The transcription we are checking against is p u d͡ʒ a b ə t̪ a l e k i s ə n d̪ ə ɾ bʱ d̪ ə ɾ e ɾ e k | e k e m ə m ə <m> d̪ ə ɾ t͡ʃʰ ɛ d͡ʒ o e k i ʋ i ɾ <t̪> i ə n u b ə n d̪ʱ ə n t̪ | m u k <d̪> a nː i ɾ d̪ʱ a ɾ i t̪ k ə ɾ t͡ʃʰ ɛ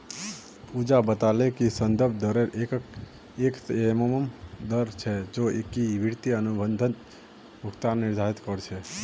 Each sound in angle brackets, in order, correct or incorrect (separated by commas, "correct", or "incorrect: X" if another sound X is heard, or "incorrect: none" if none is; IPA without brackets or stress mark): correct, correct, incorrect: t̪